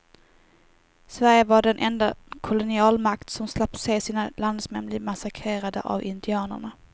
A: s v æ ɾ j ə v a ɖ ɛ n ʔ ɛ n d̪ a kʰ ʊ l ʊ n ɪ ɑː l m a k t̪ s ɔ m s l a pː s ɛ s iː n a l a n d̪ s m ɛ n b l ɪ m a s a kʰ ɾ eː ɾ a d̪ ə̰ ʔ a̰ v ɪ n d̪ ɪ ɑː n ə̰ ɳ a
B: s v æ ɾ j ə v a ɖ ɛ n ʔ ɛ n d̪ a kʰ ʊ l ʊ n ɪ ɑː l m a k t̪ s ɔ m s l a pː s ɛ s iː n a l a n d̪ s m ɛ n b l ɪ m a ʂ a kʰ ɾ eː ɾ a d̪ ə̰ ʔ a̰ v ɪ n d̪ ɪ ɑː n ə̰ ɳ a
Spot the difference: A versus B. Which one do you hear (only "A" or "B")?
A